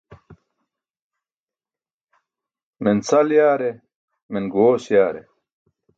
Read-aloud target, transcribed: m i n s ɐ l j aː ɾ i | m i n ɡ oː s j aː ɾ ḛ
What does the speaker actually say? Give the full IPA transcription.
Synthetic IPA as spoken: m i n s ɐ l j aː ɾ e | m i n ɡ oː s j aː ɾ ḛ